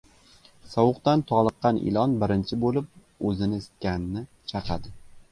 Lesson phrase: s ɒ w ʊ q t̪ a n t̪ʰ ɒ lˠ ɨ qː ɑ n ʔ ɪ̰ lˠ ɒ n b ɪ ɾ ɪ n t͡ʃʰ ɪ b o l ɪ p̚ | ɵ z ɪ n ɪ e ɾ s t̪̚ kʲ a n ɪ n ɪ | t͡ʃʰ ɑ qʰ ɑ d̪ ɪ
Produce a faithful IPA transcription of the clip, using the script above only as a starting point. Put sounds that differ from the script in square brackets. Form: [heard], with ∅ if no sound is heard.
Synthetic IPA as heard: s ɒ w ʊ q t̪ a n t̪ʰ ɒ lˠ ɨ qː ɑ n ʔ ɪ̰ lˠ ɒ n b ɪ ɾ ɪ n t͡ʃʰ ɪ b o l ɪ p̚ | ɵ z ɪ n ɪ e [∅] s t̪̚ kʲ a n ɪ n ɪ | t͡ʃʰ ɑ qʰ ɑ d̪ ɪ